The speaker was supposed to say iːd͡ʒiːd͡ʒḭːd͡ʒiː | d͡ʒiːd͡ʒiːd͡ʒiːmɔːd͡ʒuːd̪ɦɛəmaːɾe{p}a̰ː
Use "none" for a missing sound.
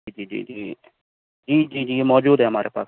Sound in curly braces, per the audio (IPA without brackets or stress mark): p